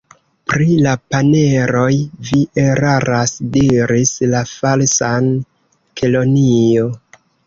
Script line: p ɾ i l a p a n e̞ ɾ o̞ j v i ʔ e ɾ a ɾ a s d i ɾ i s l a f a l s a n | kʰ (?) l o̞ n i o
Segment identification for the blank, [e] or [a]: e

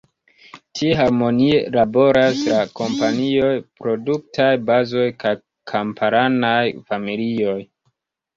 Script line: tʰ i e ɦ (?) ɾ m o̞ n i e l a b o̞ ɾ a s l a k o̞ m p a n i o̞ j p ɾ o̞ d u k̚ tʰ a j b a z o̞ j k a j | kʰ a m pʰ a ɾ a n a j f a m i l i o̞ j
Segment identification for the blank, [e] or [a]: a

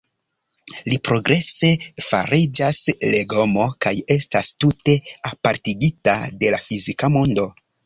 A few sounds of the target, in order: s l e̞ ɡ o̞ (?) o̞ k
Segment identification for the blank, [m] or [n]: m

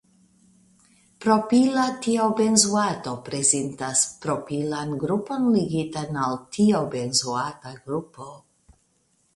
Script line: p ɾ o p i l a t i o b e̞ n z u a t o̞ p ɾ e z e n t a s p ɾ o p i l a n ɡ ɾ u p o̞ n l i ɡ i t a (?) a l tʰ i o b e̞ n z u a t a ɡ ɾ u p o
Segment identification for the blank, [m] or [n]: n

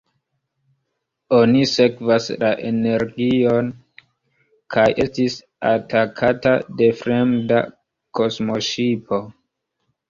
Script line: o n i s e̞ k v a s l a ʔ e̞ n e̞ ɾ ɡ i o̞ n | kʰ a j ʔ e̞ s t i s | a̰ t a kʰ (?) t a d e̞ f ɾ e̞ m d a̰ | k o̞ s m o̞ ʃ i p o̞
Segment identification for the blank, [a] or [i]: a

